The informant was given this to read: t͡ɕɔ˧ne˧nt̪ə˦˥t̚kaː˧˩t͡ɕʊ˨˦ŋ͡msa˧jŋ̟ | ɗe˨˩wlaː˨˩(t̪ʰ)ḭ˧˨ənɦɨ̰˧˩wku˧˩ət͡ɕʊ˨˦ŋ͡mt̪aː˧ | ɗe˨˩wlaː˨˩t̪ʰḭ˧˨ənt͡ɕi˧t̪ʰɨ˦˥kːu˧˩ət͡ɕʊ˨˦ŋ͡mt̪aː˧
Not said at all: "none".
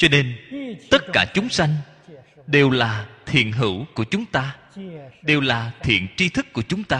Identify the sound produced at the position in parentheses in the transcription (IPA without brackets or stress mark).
t̪ʰ